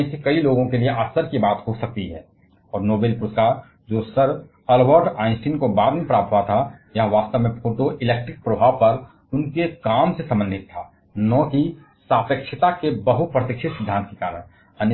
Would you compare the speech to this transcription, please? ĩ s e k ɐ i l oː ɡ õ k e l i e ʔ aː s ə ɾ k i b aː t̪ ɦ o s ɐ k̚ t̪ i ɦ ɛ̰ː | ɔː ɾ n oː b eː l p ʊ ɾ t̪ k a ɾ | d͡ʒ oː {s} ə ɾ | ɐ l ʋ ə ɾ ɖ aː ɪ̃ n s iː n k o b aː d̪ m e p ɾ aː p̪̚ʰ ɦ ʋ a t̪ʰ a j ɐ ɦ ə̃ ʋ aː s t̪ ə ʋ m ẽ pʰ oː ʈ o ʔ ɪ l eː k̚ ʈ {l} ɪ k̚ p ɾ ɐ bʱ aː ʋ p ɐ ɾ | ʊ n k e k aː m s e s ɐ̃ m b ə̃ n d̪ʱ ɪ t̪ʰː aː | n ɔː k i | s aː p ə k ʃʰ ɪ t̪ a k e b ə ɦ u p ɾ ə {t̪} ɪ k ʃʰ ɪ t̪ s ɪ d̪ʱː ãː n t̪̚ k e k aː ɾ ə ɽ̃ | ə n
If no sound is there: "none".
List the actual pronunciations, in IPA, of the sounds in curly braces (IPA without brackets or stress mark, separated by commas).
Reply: s, ɾ, t̪